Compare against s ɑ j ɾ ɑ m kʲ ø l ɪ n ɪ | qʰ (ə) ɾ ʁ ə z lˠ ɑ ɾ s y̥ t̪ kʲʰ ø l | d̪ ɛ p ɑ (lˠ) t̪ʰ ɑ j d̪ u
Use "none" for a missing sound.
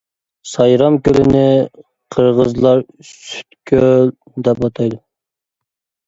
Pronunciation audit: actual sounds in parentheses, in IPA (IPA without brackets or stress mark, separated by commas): ə, none